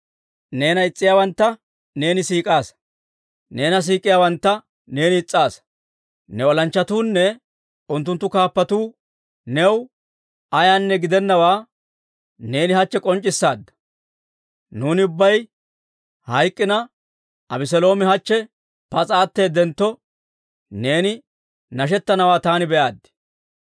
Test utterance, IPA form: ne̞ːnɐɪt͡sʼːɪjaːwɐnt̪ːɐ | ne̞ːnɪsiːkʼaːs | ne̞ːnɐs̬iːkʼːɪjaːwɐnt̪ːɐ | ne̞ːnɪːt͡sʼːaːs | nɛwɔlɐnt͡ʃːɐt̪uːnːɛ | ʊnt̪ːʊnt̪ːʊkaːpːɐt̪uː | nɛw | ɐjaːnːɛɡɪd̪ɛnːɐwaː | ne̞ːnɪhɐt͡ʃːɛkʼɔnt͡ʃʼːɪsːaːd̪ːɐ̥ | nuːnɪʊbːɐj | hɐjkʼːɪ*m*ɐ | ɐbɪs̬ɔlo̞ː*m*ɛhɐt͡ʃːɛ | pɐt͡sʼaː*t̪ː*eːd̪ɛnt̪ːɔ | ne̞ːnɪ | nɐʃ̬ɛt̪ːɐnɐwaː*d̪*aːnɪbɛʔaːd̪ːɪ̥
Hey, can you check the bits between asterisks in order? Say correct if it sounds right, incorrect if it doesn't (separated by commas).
incorrect, correct, correct, incorrect